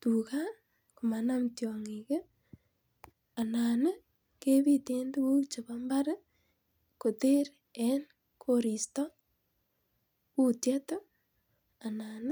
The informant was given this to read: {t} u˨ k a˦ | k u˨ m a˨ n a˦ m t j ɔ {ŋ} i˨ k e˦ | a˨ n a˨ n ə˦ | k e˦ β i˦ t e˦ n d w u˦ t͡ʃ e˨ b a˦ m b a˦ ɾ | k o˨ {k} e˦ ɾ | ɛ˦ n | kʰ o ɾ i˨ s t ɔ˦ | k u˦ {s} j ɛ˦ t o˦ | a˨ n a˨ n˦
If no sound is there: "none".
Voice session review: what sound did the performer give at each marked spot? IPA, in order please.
t, ŋ, t, t

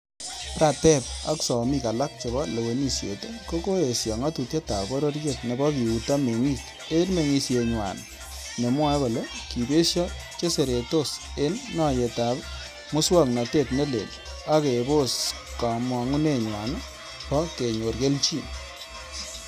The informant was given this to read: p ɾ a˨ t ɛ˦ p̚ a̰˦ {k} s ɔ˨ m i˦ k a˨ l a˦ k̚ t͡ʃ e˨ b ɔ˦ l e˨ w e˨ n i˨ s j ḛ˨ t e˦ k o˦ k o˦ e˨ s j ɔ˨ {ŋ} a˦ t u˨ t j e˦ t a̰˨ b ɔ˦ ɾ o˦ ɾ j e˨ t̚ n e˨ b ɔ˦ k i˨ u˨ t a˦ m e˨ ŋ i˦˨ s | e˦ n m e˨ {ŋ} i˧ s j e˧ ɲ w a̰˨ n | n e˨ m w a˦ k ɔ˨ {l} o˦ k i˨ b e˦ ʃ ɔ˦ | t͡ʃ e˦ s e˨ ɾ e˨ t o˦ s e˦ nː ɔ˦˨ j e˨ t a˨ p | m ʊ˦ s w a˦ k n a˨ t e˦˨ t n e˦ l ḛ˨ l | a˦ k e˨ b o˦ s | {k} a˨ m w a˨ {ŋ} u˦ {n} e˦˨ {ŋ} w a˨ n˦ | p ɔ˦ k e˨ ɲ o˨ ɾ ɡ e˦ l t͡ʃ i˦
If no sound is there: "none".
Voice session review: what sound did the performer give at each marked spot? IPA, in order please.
k, ŋ, ŋ, l, k, ŋ, n, ɲ

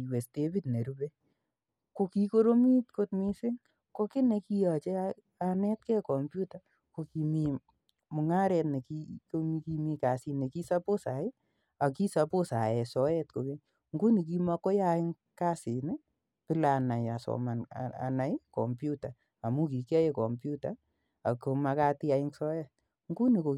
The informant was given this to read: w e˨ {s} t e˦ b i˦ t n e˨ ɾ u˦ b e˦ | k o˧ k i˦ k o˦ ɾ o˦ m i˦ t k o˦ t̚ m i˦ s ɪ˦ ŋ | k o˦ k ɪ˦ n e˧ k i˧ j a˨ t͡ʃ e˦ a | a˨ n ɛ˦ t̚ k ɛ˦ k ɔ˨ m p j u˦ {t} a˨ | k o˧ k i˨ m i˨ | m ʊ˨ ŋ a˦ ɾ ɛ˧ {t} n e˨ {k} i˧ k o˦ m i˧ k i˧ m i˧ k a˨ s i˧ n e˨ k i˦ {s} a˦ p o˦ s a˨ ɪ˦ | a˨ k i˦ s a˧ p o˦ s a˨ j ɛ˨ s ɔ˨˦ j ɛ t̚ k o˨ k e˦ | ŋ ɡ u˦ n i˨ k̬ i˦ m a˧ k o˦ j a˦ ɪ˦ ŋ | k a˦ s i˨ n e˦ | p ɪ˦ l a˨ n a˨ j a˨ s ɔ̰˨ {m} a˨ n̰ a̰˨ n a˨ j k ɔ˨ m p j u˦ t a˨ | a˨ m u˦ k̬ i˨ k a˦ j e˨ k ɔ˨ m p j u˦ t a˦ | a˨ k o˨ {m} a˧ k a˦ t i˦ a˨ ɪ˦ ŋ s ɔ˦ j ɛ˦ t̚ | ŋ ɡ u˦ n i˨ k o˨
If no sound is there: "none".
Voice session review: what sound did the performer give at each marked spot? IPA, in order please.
s, t, t, k, s, m, m

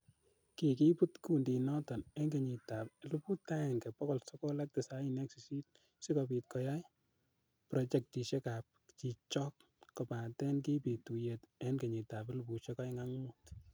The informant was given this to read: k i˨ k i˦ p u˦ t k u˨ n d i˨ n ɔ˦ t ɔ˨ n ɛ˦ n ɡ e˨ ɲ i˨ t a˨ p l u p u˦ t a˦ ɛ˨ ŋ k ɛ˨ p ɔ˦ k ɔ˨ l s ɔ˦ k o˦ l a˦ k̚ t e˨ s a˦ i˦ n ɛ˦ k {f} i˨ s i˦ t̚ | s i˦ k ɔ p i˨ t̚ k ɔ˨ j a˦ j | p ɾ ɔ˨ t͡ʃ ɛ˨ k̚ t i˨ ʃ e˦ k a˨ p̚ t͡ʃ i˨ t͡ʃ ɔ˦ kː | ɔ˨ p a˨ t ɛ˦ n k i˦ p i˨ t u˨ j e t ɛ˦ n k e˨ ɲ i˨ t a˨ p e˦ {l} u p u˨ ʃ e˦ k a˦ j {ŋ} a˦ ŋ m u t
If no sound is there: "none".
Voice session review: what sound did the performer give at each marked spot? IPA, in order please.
s, l, ŋ

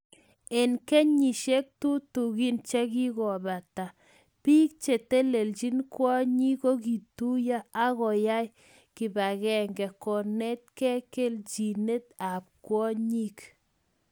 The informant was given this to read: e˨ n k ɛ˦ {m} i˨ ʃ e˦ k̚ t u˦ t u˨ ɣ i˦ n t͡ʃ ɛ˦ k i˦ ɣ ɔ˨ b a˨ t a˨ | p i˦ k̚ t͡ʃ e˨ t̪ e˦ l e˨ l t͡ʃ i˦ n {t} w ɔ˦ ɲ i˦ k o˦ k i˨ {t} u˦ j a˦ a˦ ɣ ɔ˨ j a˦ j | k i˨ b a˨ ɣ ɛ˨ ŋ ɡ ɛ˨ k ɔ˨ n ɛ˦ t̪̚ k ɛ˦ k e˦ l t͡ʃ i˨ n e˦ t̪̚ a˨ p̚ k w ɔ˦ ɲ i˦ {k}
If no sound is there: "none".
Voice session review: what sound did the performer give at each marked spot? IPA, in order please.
ɲ, k, t, k

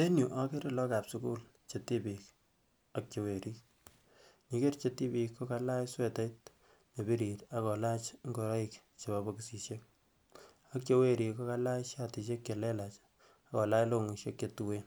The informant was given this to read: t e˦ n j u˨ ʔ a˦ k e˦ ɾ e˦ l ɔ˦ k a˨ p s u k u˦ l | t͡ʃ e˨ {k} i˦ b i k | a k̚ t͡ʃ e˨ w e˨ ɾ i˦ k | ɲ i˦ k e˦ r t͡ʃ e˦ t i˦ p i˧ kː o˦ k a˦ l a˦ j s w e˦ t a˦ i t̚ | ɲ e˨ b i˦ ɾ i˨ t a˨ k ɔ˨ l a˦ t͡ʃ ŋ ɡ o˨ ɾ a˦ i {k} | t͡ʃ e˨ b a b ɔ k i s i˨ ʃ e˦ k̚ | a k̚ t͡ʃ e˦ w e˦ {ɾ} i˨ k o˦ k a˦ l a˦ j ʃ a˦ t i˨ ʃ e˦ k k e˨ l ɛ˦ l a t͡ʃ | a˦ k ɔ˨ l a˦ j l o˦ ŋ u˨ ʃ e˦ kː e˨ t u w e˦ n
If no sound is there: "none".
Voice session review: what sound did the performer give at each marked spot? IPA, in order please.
t, k, ɾ

